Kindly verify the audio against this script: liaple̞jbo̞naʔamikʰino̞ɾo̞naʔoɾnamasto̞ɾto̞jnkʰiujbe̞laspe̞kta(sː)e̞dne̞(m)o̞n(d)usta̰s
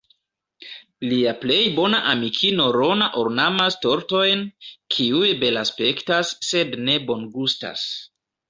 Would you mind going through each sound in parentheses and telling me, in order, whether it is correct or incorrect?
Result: correct, incorrect: b, incorrect: ɡ

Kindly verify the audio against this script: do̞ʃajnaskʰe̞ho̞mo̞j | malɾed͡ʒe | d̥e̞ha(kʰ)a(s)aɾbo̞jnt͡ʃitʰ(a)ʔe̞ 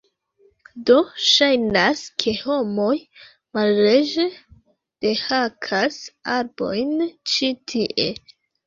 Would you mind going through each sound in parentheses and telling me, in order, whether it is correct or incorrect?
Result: correct, correct, incorrect: i

